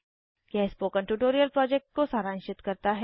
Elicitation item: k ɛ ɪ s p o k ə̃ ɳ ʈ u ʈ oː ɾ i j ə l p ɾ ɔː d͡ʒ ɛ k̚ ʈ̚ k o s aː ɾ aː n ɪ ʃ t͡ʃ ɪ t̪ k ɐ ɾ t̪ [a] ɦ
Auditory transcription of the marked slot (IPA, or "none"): a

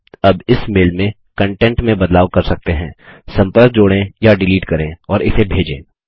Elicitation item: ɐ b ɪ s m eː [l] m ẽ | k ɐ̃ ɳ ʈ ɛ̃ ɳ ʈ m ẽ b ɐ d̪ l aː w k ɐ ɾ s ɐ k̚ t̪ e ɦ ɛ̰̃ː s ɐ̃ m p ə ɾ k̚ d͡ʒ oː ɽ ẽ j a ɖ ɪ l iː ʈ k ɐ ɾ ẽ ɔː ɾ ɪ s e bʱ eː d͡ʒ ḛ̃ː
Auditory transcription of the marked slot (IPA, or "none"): l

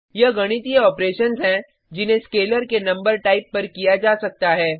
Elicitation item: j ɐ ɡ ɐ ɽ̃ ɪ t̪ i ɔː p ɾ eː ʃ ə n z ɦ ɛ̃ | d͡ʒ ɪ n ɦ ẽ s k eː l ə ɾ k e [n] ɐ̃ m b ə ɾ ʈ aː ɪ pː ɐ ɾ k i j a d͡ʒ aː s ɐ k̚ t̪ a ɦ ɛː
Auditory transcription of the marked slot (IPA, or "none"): n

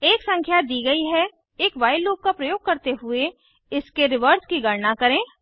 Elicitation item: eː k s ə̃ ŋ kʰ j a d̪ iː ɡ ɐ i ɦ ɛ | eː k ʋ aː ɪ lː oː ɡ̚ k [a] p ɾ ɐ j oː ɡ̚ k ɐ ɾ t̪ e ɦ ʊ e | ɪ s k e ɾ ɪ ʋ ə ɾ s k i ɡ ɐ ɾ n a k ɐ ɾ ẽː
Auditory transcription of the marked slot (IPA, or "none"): a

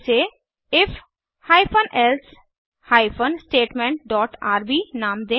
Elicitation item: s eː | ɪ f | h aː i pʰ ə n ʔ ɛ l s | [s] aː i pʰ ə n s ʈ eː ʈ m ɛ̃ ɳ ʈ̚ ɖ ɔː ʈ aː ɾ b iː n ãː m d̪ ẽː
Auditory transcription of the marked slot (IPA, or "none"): h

